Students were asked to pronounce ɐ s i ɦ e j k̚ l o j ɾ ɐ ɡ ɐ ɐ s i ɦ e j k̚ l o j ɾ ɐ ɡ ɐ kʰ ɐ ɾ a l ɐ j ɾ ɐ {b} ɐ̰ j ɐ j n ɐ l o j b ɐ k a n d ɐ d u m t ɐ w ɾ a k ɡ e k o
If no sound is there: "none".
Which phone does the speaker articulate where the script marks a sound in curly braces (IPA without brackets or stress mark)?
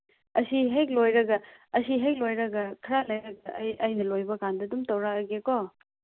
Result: ɡ